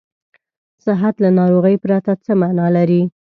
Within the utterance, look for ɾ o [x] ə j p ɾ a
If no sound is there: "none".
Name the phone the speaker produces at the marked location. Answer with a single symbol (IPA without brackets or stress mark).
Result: ɣ